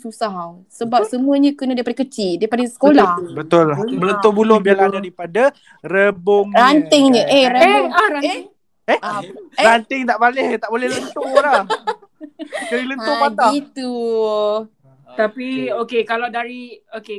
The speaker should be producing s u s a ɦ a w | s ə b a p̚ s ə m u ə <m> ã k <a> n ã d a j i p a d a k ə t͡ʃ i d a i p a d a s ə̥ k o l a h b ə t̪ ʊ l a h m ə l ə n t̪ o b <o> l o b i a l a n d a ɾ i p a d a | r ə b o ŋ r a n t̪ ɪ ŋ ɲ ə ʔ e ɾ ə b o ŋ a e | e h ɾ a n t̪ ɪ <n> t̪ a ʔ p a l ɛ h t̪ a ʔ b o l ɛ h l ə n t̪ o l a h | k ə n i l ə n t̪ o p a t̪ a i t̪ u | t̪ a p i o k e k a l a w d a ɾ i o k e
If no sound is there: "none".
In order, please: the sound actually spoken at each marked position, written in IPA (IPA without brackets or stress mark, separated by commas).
ɲ, ə, u, ŋ